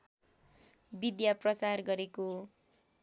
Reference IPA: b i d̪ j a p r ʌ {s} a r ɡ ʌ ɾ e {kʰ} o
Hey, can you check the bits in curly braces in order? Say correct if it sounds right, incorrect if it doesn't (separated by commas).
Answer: incorrect, incorrect